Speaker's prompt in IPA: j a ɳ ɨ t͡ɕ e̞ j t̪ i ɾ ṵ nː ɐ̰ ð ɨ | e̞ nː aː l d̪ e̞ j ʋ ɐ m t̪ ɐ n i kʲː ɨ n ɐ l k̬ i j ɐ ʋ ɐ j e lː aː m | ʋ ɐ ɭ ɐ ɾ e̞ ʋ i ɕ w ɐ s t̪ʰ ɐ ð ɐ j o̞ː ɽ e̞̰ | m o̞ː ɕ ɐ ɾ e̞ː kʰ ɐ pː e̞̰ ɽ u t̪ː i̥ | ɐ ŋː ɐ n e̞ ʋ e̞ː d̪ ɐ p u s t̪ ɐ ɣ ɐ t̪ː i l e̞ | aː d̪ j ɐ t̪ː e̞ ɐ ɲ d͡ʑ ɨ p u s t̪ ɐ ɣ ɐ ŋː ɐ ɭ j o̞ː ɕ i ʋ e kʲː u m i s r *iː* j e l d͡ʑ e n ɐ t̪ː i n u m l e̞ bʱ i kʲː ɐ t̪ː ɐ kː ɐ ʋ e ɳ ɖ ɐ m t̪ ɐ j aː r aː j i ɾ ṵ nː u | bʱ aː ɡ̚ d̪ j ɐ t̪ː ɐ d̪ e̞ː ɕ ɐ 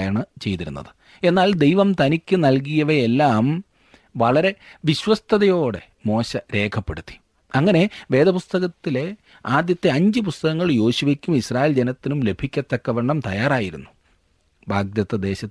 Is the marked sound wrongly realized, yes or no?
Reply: yes